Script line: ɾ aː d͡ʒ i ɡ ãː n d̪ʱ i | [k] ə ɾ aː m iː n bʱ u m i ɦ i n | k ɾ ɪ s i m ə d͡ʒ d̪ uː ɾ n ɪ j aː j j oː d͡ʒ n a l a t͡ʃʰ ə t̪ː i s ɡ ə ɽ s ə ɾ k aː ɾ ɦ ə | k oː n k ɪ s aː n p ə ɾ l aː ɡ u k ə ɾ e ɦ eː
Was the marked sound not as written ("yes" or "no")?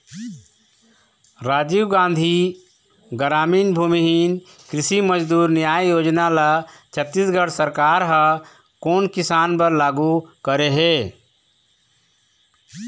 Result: yes